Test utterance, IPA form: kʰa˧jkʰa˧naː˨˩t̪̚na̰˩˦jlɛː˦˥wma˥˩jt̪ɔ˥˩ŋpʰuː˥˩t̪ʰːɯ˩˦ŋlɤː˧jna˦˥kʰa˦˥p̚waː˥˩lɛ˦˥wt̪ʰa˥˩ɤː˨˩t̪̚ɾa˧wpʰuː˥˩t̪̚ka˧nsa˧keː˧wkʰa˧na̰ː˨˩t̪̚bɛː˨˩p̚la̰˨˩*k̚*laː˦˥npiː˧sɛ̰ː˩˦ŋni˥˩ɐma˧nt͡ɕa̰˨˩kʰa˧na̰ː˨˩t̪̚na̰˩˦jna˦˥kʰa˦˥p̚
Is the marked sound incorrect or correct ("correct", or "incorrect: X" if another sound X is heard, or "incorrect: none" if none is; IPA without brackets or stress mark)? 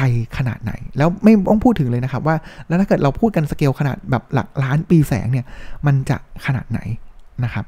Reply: correct